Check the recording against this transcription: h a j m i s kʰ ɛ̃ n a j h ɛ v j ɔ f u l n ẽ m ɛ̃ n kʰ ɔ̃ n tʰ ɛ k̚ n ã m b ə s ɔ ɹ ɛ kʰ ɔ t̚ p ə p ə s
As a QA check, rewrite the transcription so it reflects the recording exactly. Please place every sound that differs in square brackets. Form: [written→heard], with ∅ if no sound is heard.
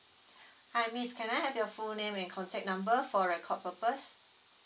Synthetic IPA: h a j m i s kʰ ɛ̃ n a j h ɛ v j ɔ f u l n ẽ m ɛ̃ n kʰ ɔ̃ n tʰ ɛ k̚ n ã m b ə [s→f] ɔ ɹ ɛ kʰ ɔ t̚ p ə p ə s